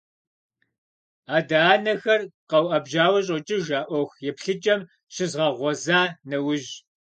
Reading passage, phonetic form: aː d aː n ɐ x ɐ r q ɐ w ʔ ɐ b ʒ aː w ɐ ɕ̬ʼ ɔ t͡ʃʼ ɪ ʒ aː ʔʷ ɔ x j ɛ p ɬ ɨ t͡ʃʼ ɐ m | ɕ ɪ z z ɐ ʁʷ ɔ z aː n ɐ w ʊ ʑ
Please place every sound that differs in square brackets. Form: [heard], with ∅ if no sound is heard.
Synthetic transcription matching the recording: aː d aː n ɐ x ɐ r q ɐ w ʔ ɐ b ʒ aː w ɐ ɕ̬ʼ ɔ t͡ʃʼ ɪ ʒ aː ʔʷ ɔ x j ɛ p ɬ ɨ t͡ʃʼ ɐ m | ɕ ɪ z [ʁ] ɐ ʁʷ ɔ z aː n ɐ w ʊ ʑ